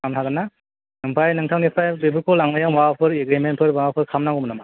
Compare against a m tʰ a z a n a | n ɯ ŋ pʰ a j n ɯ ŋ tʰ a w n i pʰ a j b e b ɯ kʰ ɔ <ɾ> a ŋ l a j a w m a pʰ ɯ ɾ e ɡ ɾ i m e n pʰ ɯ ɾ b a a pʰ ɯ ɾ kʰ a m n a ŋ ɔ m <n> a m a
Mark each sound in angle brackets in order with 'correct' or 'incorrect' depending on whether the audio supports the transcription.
incorrect, correct

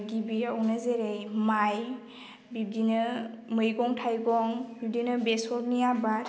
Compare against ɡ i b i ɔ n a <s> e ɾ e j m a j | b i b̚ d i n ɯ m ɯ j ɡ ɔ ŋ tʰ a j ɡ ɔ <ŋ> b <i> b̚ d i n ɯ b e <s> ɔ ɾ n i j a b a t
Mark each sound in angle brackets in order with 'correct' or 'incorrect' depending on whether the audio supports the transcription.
incorrect, correct, correct, correct

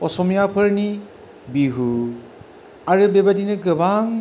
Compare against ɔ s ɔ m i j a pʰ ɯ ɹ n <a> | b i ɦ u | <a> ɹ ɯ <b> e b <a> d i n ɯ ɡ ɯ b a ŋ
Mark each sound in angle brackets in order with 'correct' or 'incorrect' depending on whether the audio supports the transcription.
incorrect, correct, correct, correct

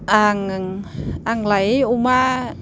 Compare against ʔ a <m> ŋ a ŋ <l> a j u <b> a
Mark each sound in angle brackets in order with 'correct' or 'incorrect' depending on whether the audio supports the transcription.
incorrect, correct, incorrect

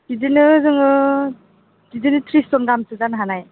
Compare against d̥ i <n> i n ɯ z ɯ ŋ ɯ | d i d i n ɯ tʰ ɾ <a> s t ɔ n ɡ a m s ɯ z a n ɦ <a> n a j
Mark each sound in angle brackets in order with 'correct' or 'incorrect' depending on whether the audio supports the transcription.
incorrect, incorrect, correct

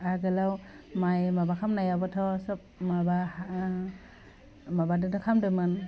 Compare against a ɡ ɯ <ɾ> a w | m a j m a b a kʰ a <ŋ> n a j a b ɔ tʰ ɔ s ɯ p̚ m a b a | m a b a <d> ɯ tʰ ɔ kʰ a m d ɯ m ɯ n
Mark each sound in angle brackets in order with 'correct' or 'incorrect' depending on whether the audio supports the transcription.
incorrect, incorrect, correct

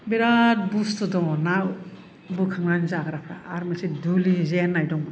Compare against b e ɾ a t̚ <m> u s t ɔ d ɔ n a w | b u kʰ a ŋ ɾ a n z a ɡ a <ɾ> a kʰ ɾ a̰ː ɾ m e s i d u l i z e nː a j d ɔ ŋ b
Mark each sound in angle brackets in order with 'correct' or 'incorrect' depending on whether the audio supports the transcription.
incorrect, correct

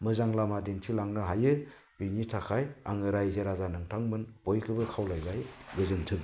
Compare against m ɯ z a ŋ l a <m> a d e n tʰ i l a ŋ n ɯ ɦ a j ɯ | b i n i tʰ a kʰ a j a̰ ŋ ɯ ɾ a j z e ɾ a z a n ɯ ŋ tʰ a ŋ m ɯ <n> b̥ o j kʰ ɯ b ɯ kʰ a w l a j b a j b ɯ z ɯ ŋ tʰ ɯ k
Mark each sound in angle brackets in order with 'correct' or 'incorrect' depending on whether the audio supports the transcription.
correct, correct

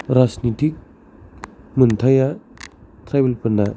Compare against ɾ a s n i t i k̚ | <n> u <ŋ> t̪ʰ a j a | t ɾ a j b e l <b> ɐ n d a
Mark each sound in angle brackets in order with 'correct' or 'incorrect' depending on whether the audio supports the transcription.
incorrect, incorrect, incorrect

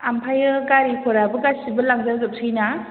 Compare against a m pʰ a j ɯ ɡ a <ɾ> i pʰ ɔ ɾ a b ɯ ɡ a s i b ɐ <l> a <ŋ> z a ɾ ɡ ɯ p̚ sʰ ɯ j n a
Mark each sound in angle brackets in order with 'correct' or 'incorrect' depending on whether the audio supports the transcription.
correct, correct, correct

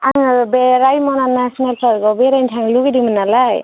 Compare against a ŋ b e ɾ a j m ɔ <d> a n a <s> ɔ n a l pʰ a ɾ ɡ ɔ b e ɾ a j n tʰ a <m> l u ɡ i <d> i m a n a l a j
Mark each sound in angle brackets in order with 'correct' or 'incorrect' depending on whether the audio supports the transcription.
incorrect, correct, incorrect, correct

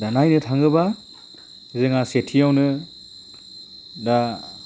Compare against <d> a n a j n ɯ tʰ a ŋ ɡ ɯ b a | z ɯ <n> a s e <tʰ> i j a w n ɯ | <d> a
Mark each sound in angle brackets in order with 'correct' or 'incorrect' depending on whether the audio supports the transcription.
correct, incorrect, correct, correct

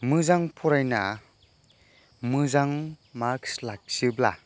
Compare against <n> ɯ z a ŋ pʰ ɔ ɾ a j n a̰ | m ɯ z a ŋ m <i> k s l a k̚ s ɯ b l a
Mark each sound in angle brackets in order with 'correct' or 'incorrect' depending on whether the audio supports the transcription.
incorrect, incorrect

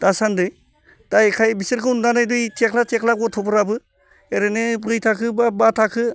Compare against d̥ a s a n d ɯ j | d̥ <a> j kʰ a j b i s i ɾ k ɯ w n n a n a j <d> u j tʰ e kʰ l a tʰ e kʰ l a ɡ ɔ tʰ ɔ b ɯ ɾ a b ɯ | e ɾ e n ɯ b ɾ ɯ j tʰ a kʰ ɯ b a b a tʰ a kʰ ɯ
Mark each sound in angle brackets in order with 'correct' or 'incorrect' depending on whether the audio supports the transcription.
correct, correct

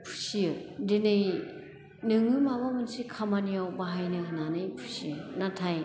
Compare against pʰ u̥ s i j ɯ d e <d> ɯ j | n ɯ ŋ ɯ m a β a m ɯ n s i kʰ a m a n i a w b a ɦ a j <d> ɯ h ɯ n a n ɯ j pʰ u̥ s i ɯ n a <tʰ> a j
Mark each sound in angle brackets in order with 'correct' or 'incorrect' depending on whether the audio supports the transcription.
incorrect, incorrect, correct

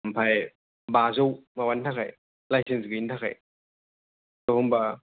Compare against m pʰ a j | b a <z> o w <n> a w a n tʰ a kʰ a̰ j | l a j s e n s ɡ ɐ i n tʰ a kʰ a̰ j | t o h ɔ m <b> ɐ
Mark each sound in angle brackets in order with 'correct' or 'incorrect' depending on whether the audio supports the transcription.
correct, incorrect, correct

